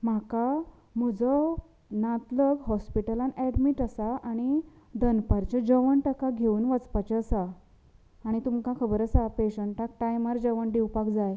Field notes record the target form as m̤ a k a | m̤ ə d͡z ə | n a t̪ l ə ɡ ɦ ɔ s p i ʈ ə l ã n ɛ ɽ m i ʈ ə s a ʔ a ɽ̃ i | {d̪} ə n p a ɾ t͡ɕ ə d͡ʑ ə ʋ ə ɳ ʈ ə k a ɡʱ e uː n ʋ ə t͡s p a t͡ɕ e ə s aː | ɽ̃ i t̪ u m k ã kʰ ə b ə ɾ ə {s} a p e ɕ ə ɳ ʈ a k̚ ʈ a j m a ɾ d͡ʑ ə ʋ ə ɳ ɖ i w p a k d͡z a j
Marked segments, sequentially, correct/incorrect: correct, correct

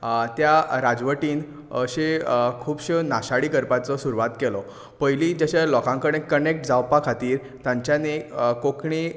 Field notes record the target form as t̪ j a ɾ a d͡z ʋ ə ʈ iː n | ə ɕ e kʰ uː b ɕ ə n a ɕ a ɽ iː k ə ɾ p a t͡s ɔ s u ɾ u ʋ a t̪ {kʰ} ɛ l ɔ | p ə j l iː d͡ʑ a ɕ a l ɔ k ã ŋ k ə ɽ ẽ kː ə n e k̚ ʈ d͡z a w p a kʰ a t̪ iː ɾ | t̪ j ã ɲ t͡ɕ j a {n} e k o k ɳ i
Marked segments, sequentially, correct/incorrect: incorrect, correct

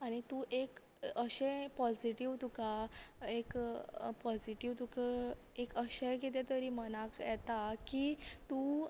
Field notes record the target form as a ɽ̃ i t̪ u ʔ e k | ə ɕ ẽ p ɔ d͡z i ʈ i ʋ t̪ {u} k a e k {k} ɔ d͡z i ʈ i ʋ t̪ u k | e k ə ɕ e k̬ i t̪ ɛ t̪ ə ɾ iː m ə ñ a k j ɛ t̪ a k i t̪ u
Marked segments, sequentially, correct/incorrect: correct, incorrect

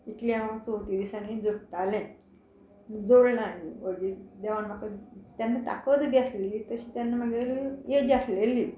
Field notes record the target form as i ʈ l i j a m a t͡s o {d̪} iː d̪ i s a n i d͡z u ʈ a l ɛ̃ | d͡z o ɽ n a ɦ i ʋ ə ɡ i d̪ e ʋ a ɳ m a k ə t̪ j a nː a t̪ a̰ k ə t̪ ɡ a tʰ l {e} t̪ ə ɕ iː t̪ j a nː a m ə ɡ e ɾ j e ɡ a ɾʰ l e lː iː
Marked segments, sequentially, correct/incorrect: incorrect, incorrect

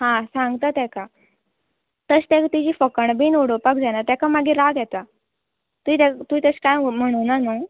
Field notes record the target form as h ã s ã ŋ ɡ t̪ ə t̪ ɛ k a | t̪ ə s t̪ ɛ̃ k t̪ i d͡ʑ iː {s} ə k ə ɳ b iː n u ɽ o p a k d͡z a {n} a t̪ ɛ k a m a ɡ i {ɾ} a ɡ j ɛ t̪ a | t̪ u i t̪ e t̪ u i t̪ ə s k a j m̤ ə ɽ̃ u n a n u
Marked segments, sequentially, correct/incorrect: incorrect, correct, correct

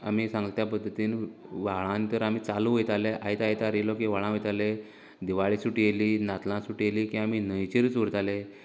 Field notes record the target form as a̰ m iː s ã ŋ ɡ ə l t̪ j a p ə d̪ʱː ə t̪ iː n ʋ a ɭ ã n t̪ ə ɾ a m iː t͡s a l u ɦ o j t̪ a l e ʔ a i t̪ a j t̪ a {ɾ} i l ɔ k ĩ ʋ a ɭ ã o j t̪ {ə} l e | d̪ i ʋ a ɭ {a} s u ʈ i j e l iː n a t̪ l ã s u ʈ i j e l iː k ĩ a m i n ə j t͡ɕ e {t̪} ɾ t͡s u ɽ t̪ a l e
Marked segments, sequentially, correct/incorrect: correct, incorrect, incorrect, incorrect

